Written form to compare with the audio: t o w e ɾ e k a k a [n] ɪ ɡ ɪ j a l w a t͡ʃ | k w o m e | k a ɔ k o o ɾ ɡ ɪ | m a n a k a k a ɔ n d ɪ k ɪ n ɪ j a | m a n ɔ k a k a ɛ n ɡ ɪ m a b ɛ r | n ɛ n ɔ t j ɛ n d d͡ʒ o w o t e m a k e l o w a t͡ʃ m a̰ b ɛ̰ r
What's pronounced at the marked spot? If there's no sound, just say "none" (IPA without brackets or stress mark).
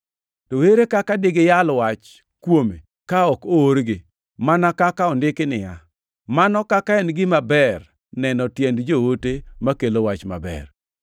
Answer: d